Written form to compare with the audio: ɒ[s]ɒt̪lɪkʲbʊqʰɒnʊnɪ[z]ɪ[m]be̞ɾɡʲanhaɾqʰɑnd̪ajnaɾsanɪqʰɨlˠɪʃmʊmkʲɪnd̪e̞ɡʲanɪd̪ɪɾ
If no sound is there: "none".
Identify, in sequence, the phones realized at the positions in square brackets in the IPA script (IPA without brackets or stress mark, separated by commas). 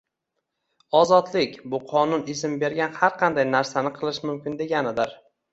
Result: z, s, m